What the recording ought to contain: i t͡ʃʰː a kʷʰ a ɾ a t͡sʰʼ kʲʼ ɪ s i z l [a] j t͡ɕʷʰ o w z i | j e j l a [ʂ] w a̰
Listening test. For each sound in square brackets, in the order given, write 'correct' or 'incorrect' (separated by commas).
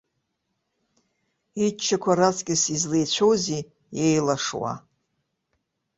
incorrect, correct